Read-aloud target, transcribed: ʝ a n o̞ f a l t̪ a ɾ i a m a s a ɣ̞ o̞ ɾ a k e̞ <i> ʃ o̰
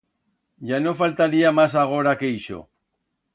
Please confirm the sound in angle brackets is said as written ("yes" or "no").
yes